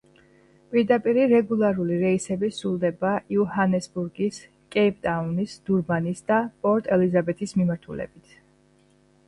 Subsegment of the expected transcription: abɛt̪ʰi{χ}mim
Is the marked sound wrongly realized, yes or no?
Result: yes